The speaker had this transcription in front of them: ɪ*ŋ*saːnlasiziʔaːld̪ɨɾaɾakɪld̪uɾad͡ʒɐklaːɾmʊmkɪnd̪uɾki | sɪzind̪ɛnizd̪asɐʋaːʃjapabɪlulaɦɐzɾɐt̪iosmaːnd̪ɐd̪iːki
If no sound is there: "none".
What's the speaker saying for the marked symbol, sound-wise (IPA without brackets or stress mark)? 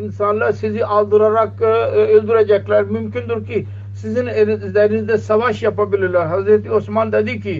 n